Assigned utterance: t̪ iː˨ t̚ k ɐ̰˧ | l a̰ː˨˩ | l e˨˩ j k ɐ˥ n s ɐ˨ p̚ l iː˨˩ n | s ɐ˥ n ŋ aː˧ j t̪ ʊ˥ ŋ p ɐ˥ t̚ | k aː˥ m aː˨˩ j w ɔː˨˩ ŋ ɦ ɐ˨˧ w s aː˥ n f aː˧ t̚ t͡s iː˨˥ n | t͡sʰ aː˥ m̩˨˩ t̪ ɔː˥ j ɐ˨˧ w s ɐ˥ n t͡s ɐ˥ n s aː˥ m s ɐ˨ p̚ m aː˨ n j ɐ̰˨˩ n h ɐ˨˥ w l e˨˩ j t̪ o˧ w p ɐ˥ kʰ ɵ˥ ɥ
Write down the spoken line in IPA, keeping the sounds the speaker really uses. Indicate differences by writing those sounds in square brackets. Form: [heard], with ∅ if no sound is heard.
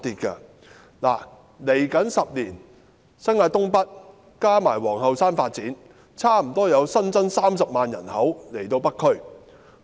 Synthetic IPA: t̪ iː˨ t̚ k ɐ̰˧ | l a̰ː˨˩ | l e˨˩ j k [ɐ˨˥] n s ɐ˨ p̚ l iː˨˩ n | s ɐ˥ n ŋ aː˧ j t̪ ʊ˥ ŋ p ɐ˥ t̚ | k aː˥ m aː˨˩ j w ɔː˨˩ ŋ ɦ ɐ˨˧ w s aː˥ n f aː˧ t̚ t͡s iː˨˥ n | t͡sʰ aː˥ m̩˨˩ t̪ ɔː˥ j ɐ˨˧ w s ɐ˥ n t͡s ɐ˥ n s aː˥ m s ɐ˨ p̚ m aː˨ n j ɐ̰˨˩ n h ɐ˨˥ w l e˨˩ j t̪ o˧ w p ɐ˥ kʰ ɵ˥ ɥ